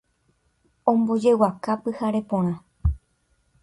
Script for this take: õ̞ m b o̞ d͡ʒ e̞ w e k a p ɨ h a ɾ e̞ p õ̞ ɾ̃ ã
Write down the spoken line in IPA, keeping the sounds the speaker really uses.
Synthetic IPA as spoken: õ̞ m b o̞ d͡ʒ e̞ w a k a p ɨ h a ɾ e̞ p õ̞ ɾ̃ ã